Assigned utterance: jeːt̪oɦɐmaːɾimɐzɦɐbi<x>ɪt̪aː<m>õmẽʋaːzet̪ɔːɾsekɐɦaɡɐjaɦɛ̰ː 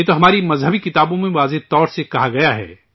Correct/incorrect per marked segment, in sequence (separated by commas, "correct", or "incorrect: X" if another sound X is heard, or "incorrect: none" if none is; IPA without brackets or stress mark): incorrect: k, incorrect: b